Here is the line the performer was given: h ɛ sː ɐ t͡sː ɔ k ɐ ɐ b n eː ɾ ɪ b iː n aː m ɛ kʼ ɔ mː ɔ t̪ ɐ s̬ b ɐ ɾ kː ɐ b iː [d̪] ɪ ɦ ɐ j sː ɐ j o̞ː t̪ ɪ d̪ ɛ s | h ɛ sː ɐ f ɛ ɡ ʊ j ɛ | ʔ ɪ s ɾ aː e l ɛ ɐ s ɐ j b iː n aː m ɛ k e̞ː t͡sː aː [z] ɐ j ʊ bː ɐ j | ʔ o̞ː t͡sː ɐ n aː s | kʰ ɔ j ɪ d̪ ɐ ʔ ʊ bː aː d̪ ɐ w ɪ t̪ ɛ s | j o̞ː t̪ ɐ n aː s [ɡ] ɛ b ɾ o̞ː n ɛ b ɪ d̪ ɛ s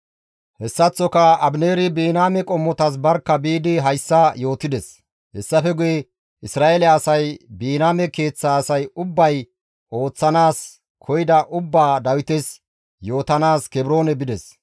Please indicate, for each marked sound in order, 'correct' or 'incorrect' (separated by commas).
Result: correct, incorrect, incorrect